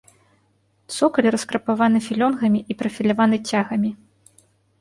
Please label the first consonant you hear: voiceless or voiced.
voiceless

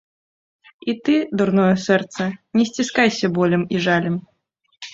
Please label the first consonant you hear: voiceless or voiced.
voiceless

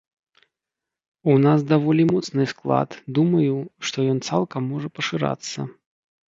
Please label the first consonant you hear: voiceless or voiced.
voiced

